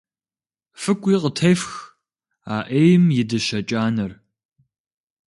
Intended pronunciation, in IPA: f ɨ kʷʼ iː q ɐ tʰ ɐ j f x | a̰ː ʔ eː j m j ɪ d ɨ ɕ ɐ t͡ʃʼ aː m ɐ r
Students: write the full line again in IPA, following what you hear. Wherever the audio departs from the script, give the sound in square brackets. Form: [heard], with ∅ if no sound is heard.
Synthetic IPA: f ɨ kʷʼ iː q [ə] tʰ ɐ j f x | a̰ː ʔ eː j m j ɪ d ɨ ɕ ɐ t͡ʃʼ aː [n] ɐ r